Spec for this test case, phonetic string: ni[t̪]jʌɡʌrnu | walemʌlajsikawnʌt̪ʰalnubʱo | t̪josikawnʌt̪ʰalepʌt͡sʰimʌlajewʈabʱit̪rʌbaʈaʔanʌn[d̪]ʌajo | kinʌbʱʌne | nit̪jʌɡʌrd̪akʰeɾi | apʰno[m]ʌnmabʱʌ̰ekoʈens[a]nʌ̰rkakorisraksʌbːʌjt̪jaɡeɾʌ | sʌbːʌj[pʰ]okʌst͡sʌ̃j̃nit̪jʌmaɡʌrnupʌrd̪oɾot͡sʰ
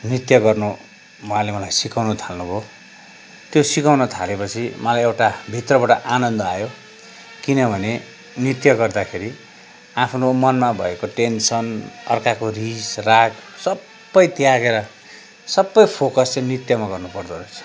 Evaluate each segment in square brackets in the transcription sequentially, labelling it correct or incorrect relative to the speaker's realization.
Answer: correct, correct, correct, incorrect: ʌ, correct

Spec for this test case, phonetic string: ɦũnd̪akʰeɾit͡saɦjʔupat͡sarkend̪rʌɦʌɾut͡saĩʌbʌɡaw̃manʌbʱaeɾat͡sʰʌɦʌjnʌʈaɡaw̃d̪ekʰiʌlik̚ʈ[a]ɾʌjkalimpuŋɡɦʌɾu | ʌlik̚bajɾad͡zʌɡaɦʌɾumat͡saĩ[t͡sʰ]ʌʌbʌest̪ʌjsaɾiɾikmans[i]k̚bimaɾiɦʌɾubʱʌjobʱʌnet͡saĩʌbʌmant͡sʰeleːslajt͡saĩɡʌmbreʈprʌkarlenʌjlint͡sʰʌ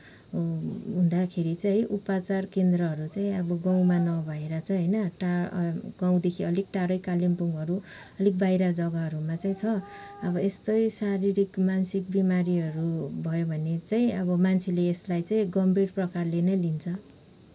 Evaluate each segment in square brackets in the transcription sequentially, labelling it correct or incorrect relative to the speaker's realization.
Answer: correct, correct, correct

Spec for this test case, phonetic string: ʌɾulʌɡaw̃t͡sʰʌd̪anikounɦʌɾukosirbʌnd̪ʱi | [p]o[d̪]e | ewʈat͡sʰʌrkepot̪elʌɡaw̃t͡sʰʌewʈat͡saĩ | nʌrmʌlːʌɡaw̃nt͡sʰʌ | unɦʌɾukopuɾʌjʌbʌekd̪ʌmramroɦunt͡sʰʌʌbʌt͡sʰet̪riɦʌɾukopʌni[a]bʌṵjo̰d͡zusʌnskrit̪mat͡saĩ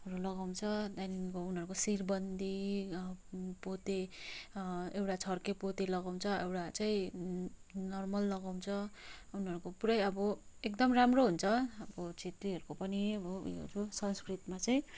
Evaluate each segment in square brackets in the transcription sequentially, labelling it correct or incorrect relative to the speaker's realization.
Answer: correct, incorrect: t̪, incorrect: ʌ

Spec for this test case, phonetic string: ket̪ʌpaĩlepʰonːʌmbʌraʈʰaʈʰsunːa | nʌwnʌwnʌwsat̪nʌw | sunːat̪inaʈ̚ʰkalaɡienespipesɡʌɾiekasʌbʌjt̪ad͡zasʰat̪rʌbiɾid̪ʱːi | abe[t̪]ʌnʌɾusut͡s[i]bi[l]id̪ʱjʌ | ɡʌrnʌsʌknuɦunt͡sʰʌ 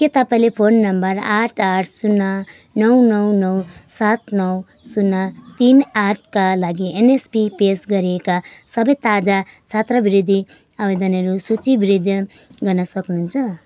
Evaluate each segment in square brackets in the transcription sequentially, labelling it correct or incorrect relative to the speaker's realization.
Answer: incorrect: d̪, correct, incorrect: ɾ

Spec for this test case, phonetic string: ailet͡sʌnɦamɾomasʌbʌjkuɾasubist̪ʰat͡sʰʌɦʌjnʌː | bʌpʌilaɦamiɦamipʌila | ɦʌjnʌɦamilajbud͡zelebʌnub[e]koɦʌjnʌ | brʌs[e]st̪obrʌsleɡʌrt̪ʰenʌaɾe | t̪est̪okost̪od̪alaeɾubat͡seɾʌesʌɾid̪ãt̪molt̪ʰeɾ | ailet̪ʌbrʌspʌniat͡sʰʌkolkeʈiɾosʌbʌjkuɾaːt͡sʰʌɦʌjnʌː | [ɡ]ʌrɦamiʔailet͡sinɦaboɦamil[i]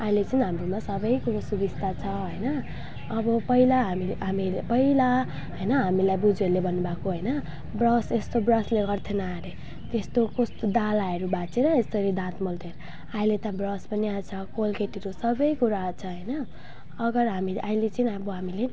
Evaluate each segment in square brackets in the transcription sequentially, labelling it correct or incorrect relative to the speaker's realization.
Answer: incorrect: a, correct, correct, incorrect: e

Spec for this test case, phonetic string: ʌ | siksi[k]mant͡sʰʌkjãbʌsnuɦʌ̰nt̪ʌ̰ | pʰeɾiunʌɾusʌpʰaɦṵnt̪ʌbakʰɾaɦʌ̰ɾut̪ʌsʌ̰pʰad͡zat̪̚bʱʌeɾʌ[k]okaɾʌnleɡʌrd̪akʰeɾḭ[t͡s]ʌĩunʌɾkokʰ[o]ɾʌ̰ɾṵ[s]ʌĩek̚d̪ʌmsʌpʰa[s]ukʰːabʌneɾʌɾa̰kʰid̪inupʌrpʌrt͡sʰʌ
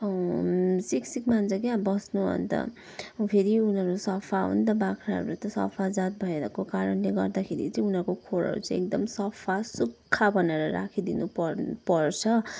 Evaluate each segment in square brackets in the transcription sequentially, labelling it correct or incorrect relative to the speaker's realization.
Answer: correct, correct, correct, correct, incorrect: t͡s, correct

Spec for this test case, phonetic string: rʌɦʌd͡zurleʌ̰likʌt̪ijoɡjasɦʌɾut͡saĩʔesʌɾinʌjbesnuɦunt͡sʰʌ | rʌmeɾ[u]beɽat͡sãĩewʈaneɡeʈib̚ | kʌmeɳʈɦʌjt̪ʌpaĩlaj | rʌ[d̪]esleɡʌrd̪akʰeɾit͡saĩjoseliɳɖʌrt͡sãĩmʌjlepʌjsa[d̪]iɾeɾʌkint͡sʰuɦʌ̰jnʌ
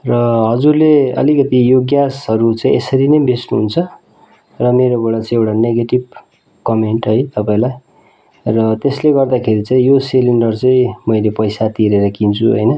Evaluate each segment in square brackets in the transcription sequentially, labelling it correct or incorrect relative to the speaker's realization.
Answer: incorrect: o, incorrect: t̪, incorrect: t̪

